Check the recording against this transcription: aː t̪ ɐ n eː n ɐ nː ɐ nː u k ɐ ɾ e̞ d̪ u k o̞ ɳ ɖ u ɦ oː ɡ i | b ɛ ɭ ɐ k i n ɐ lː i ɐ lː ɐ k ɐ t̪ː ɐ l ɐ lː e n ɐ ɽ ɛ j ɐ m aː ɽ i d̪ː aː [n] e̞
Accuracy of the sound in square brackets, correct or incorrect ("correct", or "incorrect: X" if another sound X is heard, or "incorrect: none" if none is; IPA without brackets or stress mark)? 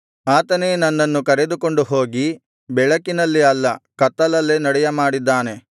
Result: correct